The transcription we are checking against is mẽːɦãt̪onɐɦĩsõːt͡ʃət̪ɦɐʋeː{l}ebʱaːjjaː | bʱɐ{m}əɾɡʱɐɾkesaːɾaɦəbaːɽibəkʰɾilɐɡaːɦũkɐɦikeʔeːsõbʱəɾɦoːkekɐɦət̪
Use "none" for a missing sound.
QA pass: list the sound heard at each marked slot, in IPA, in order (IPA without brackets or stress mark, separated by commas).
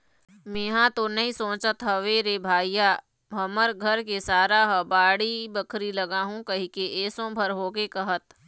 ɾ, m